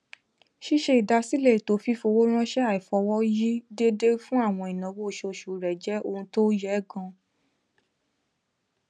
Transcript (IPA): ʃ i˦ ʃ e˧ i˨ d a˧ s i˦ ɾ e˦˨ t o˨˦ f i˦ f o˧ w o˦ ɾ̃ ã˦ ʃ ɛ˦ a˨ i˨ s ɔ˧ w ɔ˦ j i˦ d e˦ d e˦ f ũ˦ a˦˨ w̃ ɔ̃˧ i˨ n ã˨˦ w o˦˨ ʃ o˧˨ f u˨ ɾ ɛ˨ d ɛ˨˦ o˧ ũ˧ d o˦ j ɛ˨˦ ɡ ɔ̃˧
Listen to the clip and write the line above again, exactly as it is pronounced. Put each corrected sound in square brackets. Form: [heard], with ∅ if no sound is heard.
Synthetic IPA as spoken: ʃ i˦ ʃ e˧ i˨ d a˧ s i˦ [l] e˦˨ t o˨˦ f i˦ f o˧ w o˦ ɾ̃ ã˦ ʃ ɛ˦ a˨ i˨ [f] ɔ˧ w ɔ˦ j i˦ d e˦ d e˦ f ũ˦ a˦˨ w̃ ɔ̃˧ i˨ n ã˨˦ w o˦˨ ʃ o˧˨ [ʃ] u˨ ɾ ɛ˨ [d͡ʒ] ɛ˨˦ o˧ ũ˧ [t] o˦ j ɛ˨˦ ɡ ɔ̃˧

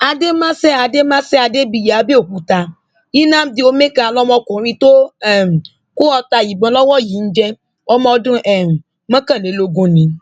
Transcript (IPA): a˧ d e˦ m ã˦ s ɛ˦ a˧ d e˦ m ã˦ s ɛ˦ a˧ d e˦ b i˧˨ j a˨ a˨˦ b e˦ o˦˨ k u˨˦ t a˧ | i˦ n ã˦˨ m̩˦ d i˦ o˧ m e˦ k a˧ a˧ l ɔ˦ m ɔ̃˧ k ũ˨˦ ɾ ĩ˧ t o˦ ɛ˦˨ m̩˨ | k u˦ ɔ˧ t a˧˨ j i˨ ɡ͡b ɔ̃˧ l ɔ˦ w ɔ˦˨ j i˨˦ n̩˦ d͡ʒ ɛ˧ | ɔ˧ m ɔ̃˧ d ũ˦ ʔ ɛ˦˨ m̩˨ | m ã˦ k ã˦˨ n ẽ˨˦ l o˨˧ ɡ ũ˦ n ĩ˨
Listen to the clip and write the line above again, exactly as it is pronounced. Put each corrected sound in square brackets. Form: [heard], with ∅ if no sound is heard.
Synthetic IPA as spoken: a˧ d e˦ m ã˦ s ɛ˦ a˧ d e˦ m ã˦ s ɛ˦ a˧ d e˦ b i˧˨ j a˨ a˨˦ b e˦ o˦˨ k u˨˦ t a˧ | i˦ n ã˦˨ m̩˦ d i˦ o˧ m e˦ k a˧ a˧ l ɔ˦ m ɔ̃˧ k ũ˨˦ ɾ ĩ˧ t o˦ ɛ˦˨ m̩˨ | k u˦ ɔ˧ t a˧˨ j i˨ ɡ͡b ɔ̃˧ l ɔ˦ w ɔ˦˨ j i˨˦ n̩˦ d͡ʒ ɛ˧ | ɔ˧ m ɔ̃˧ d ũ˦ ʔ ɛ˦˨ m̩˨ | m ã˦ k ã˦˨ n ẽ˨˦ l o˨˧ ɡ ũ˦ n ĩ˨

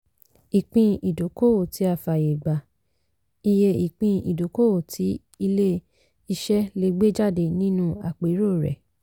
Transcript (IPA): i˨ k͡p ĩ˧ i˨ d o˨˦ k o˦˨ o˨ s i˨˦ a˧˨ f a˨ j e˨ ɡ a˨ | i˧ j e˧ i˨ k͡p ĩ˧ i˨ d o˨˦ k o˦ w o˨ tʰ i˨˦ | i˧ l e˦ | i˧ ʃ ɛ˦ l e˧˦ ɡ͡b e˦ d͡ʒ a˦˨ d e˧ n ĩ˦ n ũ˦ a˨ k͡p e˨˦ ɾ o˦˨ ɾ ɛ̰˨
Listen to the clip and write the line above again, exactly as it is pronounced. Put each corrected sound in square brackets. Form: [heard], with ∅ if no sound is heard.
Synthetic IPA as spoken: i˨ k͡p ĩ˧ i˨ d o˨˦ k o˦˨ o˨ [t] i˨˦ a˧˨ f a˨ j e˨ [ɡ͡b] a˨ | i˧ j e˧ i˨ k͡p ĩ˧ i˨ d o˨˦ k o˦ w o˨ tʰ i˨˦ | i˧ l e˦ | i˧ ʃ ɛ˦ l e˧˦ ɡ͡b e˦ d͡ʒ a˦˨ d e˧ n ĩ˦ n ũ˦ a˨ k͡p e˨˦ ɾ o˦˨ ɾ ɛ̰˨

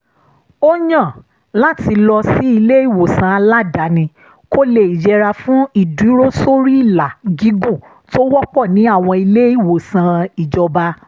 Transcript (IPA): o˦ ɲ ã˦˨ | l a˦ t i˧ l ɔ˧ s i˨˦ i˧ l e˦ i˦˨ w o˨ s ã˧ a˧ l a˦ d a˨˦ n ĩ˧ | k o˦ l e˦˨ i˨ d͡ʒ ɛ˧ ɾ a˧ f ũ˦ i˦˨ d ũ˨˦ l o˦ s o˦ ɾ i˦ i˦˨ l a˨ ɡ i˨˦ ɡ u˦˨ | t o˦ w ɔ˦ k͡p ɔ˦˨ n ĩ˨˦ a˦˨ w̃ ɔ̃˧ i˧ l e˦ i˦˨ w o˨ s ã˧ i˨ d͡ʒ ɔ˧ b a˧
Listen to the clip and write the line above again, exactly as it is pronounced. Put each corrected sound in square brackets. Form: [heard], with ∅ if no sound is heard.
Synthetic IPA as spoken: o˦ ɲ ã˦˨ | l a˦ t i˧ l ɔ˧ s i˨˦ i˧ l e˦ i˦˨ w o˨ s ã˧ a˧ l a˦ d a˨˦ n ĩ˧ | k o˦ l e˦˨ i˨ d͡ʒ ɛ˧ ɾ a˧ f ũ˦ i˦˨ d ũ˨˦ [ɾ] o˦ s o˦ ɾ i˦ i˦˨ l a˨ ɡ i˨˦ ɡ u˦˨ | t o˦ w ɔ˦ k͡p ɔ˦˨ n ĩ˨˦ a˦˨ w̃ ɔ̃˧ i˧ l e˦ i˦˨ w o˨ s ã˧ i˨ d͡ʒ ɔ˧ b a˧

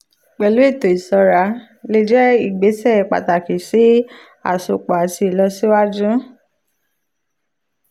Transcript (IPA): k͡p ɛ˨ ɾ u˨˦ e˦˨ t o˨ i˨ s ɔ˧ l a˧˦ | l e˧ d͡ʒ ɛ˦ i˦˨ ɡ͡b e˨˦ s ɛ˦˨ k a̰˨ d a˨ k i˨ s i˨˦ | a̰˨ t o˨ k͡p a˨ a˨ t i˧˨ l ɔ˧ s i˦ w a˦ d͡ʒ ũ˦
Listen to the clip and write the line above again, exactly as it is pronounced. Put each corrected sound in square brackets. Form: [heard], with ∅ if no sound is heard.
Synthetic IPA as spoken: k͡p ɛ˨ [l] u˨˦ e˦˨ t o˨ i˨ s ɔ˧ [ɾ] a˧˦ | l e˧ d͡ʒ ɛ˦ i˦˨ ɡ͡b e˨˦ s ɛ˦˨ [k͡p] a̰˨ [t] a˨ k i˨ s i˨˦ | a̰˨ [s] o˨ k͡p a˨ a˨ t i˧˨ l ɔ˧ s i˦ w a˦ d͡ʒ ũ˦

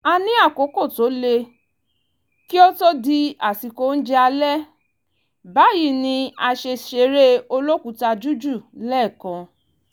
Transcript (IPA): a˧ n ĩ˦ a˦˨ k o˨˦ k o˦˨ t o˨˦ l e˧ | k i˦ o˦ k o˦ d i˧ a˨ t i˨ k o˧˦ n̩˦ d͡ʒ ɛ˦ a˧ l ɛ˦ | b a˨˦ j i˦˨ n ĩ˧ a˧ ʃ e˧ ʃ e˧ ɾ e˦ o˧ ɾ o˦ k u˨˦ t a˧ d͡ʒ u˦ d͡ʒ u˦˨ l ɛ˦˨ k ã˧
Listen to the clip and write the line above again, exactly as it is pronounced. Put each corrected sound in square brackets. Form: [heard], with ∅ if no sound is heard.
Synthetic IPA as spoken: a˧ n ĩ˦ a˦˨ k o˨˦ k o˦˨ t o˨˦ l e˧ | k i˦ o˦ [t] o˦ d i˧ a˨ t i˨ k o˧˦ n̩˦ d͡ʒ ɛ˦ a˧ l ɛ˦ | b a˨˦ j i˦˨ n ĩ˧ a˧ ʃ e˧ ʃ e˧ ɾ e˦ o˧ [l] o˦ k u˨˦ t a˧ d͡ʒ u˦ d͡ʒ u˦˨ l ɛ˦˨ k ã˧

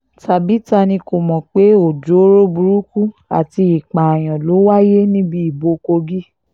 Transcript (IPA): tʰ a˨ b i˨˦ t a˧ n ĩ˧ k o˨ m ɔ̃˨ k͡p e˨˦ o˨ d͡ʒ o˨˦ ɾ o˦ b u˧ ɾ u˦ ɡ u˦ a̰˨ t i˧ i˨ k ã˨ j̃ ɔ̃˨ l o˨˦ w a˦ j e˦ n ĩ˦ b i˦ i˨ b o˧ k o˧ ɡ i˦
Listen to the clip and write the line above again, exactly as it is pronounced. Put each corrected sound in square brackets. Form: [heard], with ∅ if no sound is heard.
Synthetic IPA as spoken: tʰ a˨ b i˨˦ t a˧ n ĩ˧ k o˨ m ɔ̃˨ k͡p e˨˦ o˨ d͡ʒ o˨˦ ɾ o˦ b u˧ ɾ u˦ [k] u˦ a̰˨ t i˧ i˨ [k͡p] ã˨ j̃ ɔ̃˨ l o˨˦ w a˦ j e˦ n ĩ˦ b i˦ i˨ b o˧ k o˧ ɡ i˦

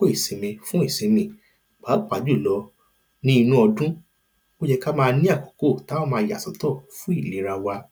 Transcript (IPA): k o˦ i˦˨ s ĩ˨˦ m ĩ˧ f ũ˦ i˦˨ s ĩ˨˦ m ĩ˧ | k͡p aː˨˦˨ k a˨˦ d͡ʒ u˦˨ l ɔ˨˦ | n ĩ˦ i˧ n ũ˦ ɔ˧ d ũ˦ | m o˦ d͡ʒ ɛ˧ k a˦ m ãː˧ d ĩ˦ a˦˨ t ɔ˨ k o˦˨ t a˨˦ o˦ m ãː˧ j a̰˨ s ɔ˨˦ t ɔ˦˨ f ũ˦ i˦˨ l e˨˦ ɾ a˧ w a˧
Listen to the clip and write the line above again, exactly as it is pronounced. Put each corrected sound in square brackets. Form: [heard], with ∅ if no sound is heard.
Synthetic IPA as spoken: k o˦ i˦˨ s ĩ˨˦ m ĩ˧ f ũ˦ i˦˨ s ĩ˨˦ m ĩ˧ | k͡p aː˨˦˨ [k͡p] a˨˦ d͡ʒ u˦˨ l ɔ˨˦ | n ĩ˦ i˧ n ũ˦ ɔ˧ d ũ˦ | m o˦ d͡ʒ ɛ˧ k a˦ m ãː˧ [n] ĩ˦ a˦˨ [k] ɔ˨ k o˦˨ t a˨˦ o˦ m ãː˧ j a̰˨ s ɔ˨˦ t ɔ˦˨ f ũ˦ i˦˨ l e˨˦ ɾ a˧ w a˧

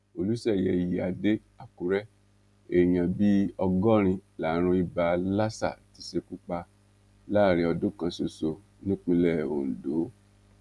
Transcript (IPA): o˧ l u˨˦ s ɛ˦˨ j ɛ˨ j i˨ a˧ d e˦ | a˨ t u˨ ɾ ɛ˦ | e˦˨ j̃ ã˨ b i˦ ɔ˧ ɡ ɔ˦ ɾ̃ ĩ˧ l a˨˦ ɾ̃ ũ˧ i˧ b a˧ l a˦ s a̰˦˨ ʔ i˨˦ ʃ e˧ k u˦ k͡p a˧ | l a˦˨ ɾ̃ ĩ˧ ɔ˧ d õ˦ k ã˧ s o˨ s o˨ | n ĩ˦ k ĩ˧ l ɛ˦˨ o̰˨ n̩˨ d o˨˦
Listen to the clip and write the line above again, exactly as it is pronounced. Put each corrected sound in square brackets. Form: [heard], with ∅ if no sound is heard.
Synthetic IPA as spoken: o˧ l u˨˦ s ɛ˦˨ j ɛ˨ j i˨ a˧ d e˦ | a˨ [k] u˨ ɾ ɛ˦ | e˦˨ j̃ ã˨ b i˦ ɔ˧ ɡ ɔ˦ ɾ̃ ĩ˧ l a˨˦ ɾ̃ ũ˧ i˧ b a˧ l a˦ s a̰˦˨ [t] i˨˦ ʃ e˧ k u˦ k͡p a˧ | l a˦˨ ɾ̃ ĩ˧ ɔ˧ d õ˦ k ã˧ s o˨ s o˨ | n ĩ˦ [k͡p] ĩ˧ l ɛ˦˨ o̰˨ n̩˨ d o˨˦

